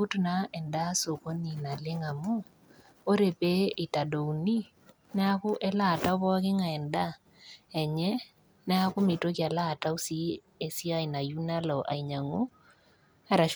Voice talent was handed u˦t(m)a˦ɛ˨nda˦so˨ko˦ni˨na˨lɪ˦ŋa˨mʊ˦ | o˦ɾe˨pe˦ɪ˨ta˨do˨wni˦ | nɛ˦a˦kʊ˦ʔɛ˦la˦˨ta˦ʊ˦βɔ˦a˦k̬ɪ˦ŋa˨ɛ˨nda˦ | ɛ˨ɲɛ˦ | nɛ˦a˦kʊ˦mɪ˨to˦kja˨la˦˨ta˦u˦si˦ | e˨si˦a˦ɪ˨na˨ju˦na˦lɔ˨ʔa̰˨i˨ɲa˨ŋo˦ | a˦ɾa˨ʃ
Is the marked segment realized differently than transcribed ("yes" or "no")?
yes